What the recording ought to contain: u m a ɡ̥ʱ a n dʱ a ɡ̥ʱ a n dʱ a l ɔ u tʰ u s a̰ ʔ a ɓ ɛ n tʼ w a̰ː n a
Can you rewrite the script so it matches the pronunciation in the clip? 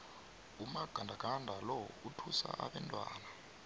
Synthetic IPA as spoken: u m a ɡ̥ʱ a n dʱ a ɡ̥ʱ a n dʱ a l ɔ u tʰ u s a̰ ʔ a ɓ ɛ n tʼ w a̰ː n a